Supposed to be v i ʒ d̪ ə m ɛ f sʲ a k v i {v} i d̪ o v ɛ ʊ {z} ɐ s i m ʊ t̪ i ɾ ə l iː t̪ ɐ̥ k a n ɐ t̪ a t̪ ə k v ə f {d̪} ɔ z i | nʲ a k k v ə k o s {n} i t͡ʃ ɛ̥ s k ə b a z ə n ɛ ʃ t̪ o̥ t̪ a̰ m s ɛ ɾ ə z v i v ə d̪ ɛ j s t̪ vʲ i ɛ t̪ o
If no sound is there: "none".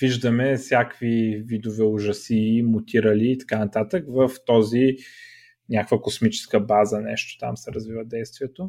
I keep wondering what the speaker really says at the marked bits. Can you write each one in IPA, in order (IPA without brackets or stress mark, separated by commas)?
v, ʒ, t̪, m